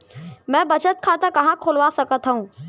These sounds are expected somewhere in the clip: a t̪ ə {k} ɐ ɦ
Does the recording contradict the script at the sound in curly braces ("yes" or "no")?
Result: no